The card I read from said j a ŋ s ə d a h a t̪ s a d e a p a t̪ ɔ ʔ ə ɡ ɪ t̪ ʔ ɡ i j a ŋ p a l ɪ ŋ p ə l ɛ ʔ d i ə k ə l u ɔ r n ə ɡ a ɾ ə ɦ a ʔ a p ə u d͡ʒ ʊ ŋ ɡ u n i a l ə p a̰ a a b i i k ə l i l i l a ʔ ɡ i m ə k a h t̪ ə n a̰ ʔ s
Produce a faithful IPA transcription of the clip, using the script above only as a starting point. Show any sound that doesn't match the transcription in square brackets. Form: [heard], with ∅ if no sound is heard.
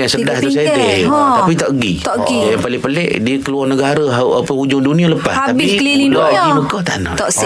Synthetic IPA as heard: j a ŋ s ə d a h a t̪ s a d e a p [i] t̪ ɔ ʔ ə ɡ [i] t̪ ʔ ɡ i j a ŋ p a l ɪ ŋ p ə l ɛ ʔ d i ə k ə l u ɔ r n ə ɡ a ɾ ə ɦ a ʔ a p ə u d͡ʒ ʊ ŋ [d] u n i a l ə p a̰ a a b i i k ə l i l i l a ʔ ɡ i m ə k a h t̪ [a] n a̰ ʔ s